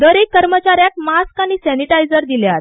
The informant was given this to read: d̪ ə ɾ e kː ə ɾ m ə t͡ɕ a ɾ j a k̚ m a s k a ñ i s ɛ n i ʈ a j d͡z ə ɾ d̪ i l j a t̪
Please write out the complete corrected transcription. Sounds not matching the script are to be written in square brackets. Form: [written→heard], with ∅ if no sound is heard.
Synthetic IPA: d̪ ə ɾ e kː ə ɾ m ə t͡ɕ a ɾ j a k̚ m a s k a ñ i s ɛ n i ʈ a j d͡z ə ɾ d̪ i l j a t̪